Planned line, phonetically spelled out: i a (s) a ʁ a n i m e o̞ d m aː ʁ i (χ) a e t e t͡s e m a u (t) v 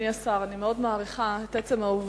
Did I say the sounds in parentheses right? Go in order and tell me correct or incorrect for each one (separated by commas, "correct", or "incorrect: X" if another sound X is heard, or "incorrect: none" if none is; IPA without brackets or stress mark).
correct, correct, incorrect: none